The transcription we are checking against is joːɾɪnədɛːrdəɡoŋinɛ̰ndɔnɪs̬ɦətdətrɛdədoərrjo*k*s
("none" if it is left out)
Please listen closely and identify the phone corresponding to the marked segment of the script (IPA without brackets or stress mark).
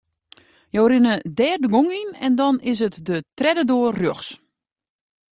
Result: x